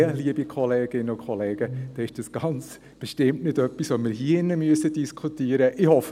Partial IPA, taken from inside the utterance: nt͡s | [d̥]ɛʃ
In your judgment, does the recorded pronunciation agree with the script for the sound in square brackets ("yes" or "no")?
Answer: no